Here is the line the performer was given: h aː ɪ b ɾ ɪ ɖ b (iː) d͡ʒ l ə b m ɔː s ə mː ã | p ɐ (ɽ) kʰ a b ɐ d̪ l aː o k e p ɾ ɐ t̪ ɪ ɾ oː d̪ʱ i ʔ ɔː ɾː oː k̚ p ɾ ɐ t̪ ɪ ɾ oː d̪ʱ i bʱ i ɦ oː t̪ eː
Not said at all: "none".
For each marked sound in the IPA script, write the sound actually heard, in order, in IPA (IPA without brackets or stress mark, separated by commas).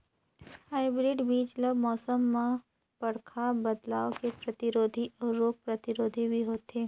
iː, ɽ